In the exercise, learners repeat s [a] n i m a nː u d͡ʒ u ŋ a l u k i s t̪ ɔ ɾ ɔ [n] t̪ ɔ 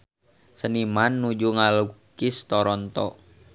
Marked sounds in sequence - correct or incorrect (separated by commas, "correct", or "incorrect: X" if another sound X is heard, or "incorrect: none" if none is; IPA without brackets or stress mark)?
incorrect: ə, correct